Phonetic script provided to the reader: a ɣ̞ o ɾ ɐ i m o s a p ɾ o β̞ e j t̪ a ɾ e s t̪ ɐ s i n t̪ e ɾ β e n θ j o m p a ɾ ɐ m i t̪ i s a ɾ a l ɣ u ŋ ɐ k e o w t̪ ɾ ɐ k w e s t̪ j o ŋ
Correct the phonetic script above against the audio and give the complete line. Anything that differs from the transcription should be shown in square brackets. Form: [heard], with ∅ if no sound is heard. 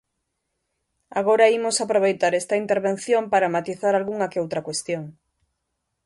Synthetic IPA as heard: a ɣ̞ o ɾ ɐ i m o s a p ɾ o β̞ e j t̪ a ɾ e s t̪ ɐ [∅] i n t̪ e ɾ β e n θ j o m p a ɾ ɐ m [a] t̪ i [θ] a ɾ a l ɣ u ŋ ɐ k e o w t̪ ɾ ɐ k w e s t̪ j o ŋ